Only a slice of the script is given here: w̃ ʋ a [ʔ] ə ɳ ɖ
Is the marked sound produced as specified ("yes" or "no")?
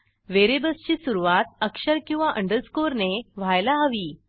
yes